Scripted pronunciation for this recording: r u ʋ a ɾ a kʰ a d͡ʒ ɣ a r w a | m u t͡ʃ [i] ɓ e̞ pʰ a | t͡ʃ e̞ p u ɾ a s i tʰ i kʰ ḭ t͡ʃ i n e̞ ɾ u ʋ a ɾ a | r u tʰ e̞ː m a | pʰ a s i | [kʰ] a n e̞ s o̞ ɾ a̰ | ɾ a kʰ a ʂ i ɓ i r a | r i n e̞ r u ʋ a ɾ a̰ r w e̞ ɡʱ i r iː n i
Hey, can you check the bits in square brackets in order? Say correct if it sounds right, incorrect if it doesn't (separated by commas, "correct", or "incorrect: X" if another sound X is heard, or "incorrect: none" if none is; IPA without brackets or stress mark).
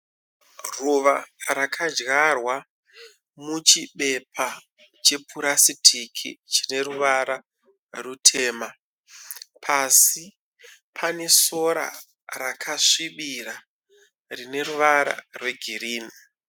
correct, incorrect: pʰ